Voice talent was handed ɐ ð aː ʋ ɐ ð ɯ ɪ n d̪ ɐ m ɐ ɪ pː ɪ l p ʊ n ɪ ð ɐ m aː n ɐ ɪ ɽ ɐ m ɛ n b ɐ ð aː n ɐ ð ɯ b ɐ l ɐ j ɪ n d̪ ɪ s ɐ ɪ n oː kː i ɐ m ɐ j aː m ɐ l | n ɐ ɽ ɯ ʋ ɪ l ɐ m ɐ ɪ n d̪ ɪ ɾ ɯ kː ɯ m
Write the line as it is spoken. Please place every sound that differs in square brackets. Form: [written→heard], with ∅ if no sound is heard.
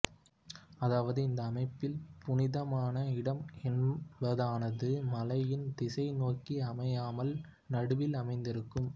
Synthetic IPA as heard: ɐ ð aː ʋ ɐ ð ɯ ɪ n d̪ [ɐ→ɐː] m ɐ ɪ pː ɪ l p ʊ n ɪ ð ɐ m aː n ɐ ɪ ɽ ɐ m ɛ n b ɐ ð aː n ɐ ð ɯ [b→m] ɐ l ɐ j ɪ n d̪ ɪ s ɐ ɪ n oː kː i ɐ m ɐ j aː m ɐ l | n ɐ ɽ ɯ ʋ ɪ l ɐ m ɐ ɪ n d̪ ɪ ɾ ɯ kː ɯ m

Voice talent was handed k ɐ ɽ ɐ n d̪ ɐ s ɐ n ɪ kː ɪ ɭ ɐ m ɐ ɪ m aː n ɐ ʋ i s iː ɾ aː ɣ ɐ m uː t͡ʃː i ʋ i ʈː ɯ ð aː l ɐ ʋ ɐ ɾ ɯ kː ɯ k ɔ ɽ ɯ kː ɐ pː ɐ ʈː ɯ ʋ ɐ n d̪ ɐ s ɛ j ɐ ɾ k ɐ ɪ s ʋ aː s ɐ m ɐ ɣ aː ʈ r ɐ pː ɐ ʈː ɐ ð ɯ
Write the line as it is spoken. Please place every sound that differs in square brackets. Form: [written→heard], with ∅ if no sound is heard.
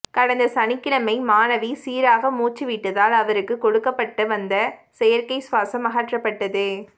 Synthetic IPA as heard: k ɐ ɽ ɐ n d̪ ɐ s ɐ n ɪ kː ɪ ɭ ɐ m ɐ ɪ m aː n ɐ ʋ i s iː ɾ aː ɣ ɐ m uː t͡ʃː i ʋ i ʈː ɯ ð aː l ɐ ʋ ɐ ɾ ɯ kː ɯ k ɔ ɽ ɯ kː ɐ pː ɐ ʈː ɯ ʋ ɐ n d̪ ɐ s ɛ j ɐ ɾ k ɐ ɪ s ʋ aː s ɐ m ɐ ɣ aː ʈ r ɐ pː ɐ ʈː ɐ ð ɯ

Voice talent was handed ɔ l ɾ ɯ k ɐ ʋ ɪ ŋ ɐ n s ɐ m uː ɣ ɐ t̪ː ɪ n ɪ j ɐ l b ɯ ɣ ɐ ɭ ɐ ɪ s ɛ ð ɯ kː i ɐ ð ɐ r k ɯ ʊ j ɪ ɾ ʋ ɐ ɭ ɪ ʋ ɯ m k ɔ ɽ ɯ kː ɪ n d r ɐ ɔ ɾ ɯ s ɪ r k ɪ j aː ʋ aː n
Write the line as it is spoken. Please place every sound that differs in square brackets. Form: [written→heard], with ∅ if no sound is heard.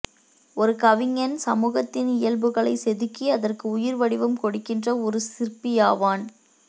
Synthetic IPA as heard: ɔ [l→∅] ɾ ɯ k ɐ ʋ ɪ ŋ ɐ n s ɐ m uː ɣ ɐ t̪ː ɪ n ɪ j ɐ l b ɯ ɣ ɐ ɭ ɐ ɪ s ɛ ð ɯ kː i ɐ ð ɐ r k ɯ ʊ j ɪ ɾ ʋ ɐ [ɭ→ɽ] ɪ ʋ ɯ m k ɔ ɽ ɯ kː ɪ n d r ɐ ɔ ɾ ɯ s ɪ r [k→p] ɪ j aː ʋ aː n

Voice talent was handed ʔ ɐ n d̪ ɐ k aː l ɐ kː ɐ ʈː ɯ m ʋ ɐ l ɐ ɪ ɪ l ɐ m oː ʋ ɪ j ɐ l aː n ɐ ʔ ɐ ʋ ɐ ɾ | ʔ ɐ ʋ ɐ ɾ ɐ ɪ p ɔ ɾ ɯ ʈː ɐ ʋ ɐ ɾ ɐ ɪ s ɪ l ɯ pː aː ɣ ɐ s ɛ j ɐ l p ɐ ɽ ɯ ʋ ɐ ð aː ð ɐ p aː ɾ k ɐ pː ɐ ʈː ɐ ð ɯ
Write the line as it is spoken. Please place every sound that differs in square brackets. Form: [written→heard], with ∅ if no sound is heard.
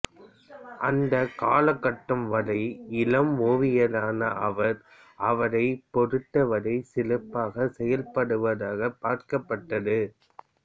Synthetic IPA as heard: ʔ ɐ n d̪ ɐ k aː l ɐ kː ɐ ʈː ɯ m ʋ ɐ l ɐ ɪ ɪ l ɐ m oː ʋ ɪ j ɐ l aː n ɐ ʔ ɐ ʋ ɐ ɾ | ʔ ɐ ʋ ɐ ɾ ɐ ɪ p ɔ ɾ ɯ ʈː ɐ ʋ ɐ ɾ ɐ ɪ s ɪ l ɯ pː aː ɣ ɐ s ɛ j ɐ l p ɐ ɽ ɯ ʋ ɐ ð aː [ð→ɣ] ɐ p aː ɾ k ɐ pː ɐ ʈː ɐ ð ɯ

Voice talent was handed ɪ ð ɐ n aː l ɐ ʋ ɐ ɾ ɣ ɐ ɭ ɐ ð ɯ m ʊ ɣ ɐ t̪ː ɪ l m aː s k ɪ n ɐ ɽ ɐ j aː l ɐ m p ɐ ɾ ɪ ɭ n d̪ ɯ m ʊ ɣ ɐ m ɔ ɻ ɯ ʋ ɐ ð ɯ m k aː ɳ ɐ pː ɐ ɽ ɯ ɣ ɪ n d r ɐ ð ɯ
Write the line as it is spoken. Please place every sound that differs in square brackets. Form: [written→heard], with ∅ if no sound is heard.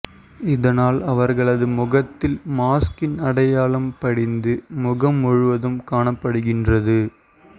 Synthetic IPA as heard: ɪ ð ɐ n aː l ɐ ʋ ɐ ɾ ɣ ɐ ɭ ɐ ð ɯ m ʊ ɣ ɐ t̪ː ɪ l m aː s k ɪ n ɐ ɽ ɐ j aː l ɐ m p ɐ [ɾ→ɽ] ɪ [ɭ→∅] n d̪ ɯ m ʊ ɣ ɐ m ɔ ɻ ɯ ʋ ɐ ð ɯ m k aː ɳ ɐ pː ɐ ɽ ɯ ɣ ɪ n d r ɐ ð ɯ

